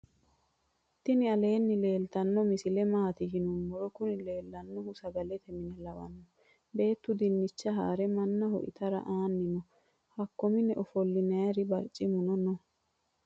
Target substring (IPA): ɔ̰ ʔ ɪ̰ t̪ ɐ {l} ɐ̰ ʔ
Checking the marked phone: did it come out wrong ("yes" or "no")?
yes